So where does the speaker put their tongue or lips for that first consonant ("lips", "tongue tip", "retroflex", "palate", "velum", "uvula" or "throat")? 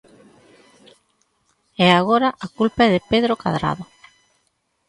velum